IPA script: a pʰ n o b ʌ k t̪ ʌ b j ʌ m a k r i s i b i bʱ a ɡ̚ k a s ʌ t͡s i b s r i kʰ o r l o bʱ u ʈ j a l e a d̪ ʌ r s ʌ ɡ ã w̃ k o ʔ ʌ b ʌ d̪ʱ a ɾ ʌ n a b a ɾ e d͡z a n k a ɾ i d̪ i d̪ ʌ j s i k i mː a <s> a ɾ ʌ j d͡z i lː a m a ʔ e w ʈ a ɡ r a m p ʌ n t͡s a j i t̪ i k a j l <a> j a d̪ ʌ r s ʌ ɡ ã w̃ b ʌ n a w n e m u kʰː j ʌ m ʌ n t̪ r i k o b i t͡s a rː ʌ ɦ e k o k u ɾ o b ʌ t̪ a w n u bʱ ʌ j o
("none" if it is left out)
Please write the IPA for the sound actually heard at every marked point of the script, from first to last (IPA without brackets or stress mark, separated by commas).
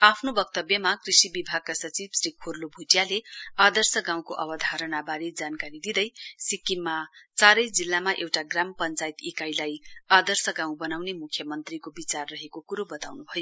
t͡s, a